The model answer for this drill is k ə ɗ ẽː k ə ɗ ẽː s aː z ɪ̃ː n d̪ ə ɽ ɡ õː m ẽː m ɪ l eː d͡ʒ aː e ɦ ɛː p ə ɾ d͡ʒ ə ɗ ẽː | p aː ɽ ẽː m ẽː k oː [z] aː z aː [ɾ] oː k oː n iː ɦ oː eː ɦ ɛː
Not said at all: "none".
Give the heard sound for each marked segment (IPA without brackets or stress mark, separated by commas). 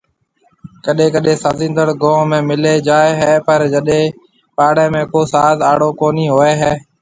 s, ɽ